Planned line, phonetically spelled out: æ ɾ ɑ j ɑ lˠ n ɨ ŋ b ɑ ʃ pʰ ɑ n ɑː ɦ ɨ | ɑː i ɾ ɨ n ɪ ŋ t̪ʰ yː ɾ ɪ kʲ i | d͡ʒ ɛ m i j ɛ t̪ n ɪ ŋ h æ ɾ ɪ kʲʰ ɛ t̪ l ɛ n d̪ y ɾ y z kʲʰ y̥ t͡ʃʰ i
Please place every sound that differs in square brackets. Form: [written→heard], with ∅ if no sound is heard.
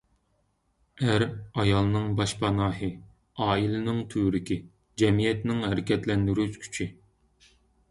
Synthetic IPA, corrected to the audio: æ ɾ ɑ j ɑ lˠ n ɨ ŋ b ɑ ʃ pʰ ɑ n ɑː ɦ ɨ | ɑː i [ɾ→l] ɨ n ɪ ŋ t̪ʰ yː ɾ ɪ kʲ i | d͡ʒ ɛ m i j ɛ t̪ n ɪ ŋ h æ ɾ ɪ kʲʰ ɛ t̪ l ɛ n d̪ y ɾ y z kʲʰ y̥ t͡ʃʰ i